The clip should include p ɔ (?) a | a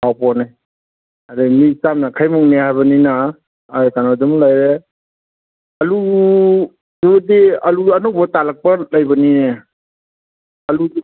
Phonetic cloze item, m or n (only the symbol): n